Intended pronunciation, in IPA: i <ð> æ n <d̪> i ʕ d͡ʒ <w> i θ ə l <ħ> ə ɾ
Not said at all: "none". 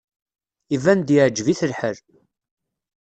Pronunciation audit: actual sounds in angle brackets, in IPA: v, d̪, v, ħ

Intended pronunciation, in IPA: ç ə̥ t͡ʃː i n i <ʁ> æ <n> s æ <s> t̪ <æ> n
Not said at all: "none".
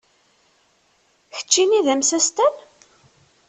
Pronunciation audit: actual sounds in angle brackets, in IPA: ð, m, s, æ

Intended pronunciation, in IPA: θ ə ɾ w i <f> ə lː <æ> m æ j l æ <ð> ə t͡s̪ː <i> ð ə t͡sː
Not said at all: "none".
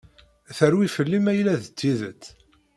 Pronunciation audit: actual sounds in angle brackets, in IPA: f, i, ð, i

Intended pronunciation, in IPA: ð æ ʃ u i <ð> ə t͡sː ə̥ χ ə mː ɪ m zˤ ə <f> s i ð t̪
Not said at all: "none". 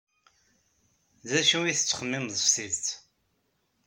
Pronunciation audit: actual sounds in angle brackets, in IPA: θ, f

